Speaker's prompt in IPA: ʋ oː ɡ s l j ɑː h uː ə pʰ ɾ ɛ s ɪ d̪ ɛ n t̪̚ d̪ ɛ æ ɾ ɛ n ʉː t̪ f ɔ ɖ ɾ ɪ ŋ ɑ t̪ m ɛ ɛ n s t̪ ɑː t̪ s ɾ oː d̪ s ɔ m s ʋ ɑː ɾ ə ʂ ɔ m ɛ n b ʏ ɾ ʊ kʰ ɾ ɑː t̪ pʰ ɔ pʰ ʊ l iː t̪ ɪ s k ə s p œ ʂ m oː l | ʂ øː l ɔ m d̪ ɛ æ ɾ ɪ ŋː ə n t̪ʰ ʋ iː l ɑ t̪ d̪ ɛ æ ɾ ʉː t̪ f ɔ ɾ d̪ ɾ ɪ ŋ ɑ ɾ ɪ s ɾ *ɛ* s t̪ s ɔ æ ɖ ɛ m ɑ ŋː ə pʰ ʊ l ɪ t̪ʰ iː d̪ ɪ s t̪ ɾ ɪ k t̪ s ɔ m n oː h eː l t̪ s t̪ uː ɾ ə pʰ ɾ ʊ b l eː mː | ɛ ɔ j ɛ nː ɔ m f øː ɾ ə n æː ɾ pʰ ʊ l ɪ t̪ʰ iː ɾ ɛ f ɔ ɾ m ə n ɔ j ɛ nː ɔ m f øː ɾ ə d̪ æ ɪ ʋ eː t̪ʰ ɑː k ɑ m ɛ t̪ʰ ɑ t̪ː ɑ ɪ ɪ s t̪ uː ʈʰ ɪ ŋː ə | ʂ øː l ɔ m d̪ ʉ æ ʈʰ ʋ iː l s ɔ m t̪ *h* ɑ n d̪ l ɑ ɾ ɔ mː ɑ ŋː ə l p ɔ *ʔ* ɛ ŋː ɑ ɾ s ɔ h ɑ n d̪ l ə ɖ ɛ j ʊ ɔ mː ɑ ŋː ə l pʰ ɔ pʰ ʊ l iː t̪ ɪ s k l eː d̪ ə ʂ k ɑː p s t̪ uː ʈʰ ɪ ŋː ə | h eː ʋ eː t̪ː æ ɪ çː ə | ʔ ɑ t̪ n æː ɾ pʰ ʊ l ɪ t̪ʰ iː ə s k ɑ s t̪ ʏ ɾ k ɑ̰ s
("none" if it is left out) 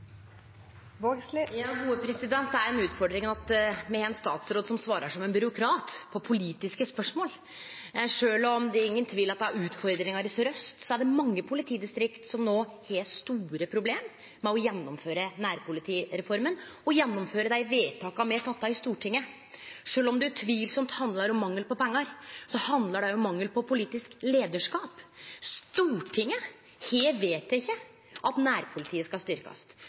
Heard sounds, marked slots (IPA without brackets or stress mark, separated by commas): œ, h, p